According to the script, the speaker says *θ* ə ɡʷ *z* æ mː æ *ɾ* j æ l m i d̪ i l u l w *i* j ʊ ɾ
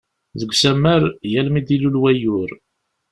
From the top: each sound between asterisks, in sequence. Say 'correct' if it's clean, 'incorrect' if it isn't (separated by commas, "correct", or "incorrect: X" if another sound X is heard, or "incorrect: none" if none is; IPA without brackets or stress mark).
incorrect: ð, incorrect: s, correct, incorrect: æ